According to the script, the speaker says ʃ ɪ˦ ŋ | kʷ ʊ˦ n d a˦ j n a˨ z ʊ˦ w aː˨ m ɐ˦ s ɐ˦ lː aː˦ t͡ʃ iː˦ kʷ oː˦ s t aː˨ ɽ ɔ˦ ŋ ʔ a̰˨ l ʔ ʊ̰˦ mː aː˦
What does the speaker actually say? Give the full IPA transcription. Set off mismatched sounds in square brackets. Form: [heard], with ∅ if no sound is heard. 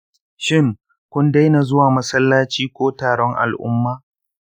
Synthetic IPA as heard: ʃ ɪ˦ ŋ | kʷ ʊ˦ n d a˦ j n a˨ z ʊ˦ w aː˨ m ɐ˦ s ɐ˦ lː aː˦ t͡ʃ iː˦ kʷ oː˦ [∅] t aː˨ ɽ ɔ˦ ŋ ʔ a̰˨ l ʔ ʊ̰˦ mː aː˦

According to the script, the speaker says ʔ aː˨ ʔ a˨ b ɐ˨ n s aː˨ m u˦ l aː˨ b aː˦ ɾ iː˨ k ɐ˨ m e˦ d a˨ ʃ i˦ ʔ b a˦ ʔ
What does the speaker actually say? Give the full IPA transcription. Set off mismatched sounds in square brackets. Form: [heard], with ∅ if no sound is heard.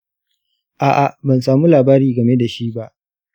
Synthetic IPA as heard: ʔ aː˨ ʔ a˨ b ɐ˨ n s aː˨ m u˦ l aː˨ b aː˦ ɾ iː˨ [ɡ] ɐ˨ m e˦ d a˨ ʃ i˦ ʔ b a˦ ʔ

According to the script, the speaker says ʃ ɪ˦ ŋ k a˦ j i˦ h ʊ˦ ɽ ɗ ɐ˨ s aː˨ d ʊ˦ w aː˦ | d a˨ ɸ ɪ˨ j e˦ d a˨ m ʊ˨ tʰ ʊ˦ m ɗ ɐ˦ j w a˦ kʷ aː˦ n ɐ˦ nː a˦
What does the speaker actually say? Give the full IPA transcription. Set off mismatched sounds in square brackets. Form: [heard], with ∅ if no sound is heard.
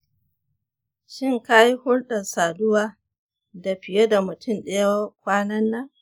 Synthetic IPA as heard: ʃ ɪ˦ ŋ k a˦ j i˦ h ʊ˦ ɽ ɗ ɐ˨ s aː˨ d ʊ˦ w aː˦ | d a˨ ɸ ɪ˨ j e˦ d a˨ m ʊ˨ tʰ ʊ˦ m ɗ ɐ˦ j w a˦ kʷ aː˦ n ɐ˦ nː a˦

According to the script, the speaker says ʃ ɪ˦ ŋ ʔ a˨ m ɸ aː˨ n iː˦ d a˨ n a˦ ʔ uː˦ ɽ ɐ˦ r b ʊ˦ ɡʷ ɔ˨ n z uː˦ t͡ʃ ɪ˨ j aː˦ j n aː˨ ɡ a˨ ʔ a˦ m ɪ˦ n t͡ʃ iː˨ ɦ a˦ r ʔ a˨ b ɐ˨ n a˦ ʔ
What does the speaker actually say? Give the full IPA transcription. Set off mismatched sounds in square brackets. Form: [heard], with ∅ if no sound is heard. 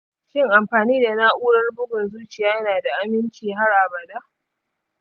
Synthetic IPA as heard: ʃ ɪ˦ ŋ ʔ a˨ m ɸ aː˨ n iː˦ d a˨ n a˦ ʔ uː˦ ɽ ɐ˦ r b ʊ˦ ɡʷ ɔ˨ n z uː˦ t͡ʃ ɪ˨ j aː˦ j n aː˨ [d] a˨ ʔ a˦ m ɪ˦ n t͡ʃ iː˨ ɦ a˦ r ʔ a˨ b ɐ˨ [d] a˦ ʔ

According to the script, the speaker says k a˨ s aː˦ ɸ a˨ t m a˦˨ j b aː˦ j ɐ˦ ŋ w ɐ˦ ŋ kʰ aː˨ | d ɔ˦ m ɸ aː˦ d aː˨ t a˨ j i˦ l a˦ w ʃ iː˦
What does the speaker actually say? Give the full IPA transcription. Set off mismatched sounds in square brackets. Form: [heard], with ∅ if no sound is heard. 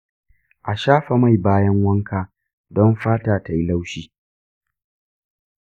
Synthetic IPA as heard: [ʔ] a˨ [ʃ] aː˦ ɸ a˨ [∅] m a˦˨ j b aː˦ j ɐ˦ ŋ w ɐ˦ ŋ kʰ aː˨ | d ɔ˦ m ɸ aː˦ [t] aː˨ t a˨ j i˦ l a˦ w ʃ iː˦

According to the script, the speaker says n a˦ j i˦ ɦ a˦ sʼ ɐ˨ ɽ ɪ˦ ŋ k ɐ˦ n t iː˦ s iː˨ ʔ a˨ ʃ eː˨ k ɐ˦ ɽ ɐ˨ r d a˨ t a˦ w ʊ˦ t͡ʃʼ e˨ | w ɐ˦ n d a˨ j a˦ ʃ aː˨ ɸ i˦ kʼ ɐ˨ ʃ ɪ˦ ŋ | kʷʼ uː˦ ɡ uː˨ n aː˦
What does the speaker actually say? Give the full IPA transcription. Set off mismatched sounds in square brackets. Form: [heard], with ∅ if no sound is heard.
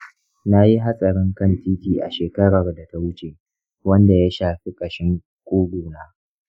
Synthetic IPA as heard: n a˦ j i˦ ɦ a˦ sʼ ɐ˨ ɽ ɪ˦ ŋ k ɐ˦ n t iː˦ [t] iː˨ ʔ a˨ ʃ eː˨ k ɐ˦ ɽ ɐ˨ r d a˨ t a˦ w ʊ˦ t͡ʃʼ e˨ | w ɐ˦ n d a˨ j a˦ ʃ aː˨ ɸ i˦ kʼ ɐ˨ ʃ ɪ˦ ŋ | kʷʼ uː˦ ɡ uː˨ n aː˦

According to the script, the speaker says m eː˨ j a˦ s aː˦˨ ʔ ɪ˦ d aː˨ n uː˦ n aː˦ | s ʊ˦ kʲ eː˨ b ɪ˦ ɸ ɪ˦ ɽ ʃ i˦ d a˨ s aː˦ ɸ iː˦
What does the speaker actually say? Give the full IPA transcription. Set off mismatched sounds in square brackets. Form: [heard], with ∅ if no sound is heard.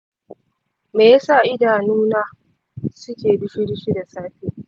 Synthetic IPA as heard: m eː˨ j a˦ s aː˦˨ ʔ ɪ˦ d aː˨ n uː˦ n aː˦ | s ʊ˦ kʲ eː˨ b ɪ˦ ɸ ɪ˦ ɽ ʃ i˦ d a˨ s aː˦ ɸ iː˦

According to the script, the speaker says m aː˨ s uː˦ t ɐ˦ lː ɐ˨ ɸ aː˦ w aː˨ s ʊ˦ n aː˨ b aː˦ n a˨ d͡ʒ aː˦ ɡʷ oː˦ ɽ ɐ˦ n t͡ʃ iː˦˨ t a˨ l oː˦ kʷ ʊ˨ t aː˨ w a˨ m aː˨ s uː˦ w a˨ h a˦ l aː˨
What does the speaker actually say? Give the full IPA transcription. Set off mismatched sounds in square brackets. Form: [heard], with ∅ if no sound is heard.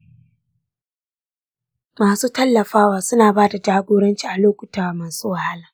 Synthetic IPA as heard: m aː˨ s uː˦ t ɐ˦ lː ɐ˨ ɸ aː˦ w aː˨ s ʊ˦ n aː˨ b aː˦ [d] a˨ d͡ʒ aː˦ ɡʷ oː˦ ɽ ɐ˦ n t͡ʃ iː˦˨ [ʔ] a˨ l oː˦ kʷ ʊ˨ t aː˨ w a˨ m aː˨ s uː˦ w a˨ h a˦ l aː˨

